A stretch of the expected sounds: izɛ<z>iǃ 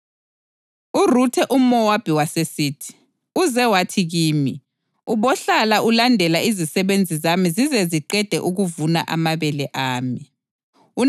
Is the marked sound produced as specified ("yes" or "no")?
yes